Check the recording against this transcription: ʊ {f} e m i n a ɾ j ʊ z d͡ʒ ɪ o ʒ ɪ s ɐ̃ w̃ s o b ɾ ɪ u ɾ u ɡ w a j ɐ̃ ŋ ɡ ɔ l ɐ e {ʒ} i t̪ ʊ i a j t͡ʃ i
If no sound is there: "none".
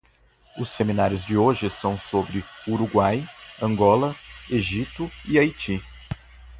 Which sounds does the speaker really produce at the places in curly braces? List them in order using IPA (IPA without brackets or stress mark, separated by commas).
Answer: s, ʒ